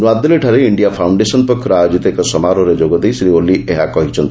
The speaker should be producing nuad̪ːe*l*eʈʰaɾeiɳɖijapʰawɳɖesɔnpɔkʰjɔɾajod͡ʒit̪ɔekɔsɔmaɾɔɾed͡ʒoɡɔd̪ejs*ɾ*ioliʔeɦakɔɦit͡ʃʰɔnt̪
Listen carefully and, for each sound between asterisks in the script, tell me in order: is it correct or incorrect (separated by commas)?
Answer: correct, correct